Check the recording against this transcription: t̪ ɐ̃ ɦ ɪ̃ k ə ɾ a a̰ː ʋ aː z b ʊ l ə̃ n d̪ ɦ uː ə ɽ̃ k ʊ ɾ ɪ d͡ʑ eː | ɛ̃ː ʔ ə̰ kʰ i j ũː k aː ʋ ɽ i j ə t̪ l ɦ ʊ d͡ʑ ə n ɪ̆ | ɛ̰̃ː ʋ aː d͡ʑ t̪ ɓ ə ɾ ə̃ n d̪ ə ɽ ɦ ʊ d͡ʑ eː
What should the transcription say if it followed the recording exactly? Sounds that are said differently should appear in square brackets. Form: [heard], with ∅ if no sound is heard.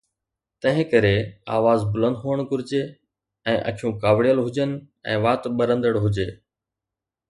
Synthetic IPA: t̪ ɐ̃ ɦ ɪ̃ k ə ɾ [e] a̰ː ʋ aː z b ʊ l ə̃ n d̪ ɦ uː ə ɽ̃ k ʊ ɾ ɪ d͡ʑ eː | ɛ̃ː ʔ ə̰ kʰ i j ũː k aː ʋ ɽ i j ə [∅] l ɦ ʊ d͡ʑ ə n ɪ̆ | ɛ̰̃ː ʋ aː [∅] t̪ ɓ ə ɾ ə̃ n d̪ ə ɽ ɦ ʊ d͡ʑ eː